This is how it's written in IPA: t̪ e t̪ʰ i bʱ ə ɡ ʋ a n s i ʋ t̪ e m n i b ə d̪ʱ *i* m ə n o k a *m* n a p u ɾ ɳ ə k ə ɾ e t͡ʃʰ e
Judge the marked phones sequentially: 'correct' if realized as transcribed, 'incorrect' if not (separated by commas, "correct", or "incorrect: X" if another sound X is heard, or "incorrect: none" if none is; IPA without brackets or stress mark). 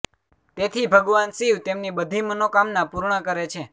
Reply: correct, correct